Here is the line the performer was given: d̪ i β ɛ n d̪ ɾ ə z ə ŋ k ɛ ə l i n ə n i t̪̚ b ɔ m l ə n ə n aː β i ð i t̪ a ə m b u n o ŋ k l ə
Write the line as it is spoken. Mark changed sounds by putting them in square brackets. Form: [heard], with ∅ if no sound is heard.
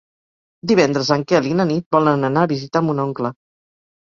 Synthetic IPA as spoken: d̪ i β ɛ n d̪ ɾ ə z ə ŋ k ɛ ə l i n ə n i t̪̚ b ɔ [∅] l ə n ə n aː β i [z] i t̪ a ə m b u n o ŋ k l ə